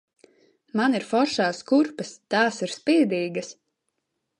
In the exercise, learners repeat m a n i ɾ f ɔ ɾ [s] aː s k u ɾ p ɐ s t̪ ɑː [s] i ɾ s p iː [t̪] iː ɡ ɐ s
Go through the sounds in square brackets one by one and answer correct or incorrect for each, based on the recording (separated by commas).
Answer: incorrect, correct, incorrect